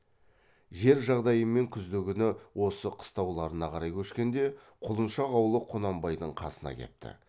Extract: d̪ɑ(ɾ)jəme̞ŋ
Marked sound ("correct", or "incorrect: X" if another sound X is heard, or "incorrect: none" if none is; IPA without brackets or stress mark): incorrect: none